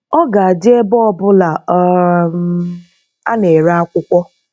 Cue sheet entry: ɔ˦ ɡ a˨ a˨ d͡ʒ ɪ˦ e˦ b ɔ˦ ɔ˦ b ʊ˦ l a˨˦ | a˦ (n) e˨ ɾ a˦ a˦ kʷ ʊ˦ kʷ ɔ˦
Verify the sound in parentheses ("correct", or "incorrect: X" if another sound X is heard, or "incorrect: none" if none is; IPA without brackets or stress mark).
correct